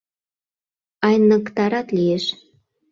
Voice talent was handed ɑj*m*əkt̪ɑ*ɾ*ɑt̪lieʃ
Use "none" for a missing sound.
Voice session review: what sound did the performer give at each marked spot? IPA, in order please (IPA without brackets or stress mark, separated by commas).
n, ɾ